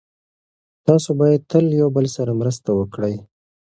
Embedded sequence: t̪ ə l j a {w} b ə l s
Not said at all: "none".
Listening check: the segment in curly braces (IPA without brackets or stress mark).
w